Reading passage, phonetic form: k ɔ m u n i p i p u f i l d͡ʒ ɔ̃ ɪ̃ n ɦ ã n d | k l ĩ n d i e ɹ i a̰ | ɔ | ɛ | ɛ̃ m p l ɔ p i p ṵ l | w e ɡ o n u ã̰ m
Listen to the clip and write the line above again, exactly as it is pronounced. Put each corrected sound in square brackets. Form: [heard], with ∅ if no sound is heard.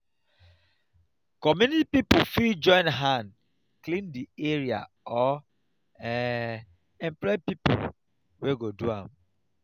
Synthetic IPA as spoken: k ɔ m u n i p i p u f i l d͡ʒ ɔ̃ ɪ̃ n ɦ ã n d | k l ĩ n d i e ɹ i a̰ | ɔ | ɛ | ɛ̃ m p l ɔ p i p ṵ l | w e ɡ o [d] u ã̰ m